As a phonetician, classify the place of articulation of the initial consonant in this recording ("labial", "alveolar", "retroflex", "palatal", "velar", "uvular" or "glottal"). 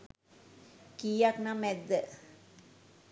velar